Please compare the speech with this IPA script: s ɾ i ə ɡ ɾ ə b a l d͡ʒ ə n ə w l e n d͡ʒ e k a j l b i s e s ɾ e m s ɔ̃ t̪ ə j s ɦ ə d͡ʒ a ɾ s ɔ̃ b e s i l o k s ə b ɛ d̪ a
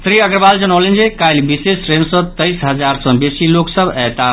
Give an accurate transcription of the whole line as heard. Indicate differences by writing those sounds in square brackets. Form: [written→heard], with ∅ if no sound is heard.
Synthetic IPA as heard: s ɾ i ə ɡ ɾ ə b a l d͡ʒ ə n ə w l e n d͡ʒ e k a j l b i s e s ɾ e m s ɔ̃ t̪ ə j s ɦ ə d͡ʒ a ɾ s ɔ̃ b e s i l o k s ə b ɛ [d̪→t̪] a